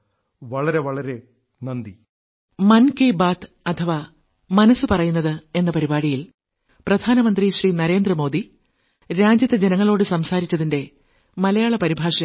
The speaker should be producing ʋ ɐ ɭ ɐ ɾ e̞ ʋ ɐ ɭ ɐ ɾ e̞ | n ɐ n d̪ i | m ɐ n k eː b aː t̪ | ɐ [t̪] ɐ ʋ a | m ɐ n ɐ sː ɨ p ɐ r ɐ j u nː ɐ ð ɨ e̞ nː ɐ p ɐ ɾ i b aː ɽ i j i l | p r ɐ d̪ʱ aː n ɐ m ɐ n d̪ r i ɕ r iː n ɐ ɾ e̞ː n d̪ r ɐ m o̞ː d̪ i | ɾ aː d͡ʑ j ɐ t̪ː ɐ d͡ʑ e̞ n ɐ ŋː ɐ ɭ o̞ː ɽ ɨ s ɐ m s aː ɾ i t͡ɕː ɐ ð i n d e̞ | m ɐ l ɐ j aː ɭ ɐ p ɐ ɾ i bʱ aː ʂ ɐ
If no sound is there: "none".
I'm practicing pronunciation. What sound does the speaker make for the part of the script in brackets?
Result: t̪ʰ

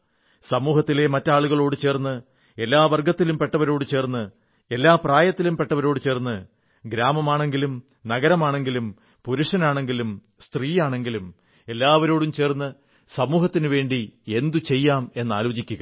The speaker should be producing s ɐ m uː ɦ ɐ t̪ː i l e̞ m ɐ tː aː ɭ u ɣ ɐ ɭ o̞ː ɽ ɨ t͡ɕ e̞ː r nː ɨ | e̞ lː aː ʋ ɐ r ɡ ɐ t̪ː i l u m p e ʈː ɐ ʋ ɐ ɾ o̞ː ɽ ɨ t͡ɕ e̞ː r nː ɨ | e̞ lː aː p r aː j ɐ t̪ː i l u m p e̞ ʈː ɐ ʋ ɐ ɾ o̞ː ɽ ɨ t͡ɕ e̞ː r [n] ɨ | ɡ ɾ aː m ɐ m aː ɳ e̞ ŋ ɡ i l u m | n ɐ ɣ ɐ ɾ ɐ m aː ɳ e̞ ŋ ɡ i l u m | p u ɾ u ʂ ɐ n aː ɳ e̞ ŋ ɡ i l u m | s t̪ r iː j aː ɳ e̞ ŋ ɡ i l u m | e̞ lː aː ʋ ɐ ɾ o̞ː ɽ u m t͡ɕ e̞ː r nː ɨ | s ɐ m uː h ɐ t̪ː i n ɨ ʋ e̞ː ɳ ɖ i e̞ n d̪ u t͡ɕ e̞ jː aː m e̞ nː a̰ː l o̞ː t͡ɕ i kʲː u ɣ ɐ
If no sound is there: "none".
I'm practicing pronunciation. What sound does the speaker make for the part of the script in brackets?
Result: nː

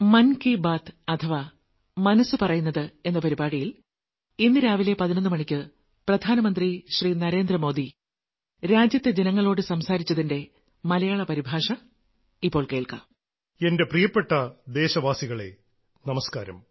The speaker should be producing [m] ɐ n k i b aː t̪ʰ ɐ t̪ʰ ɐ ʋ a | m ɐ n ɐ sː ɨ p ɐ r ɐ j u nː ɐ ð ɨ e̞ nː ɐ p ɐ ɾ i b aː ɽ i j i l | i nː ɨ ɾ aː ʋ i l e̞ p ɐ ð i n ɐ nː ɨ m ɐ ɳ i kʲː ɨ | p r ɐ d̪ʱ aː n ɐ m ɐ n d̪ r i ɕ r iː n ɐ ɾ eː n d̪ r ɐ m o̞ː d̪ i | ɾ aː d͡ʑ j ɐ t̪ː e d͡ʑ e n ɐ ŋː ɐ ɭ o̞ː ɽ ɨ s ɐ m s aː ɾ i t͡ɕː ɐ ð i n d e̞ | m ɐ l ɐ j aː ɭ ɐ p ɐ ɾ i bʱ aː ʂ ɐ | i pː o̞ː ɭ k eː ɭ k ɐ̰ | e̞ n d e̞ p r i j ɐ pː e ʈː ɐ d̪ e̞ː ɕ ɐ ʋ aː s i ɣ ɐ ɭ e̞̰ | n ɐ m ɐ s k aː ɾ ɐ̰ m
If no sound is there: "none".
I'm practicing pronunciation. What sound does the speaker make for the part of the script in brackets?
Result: m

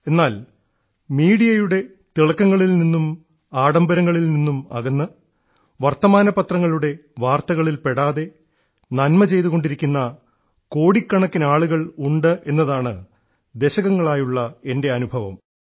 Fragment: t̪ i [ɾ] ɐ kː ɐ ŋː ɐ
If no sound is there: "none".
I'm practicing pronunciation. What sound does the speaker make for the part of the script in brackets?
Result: ɭ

